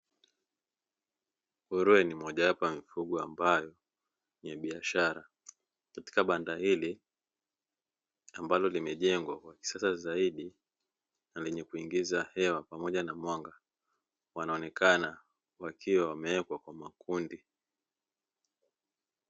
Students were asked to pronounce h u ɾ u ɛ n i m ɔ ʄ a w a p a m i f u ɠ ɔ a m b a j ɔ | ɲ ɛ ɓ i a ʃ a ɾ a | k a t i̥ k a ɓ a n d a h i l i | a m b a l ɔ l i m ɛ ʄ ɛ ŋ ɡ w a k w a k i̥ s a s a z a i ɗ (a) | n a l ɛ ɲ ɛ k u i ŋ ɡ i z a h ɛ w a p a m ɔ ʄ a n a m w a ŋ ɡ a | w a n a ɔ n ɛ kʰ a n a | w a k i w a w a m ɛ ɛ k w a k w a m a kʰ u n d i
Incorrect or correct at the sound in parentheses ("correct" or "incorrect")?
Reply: incorrect